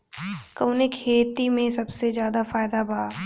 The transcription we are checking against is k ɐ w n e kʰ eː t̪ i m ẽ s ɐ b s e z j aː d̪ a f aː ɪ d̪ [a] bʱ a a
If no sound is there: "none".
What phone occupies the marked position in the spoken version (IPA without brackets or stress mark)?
a